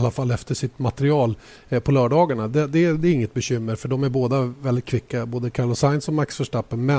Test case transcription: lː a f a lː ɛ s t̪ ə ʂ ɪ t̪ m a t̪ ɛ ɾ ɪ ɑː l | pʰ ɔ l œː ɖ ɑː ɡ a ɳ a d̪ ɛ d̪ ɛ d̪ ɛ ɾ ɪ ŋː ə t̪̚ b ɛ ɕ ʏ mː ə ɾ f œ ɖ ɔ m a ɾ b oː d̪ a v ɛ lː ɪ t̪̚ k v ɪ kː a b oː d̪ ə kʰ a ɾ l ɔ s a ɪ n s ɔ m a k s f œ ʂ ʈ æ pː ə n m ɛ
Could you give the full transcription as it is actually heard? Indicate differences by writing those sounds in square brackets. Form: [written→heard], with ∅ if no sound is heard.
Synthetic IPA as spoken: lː a f a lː ɛ [s→f] t̪ ə ʂ ɪ t̪ m a t̪ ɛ ɾ ɪ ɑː l | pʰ ɔ l œː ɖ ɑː ɡ a ɳ a d̪ ɛ d̪ ɛ d̪ ɛ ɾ ɪ ŋː ə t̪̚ b ɛ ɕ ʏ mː ə ɾ f œ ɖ ɔ m [a→æ] ɾ b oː d̪ a v ɛ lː ɪ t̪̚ [k→kʰ] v ɪ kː a b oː d̪ ə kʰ a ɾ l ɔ s a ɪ n s ɔ m a k s f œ ʂ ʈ [æ→a] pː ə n m ɛ